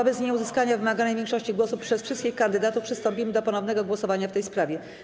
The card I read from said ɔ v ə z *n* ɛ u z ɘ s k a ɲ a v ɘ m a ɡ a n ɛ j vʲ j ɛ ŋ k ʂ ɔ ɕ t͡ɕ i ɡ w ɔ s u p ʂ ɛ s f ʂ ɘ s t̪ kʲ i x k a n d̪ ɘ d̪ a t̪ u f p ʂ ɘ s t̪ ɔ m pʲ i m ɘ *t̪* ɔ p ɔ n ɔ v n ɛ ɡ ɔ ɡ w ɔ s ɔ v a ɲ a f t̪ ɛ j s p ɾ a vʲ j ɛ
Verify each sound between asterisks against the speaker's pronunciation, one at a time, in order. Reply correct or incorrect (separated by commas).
incorrect, incorrect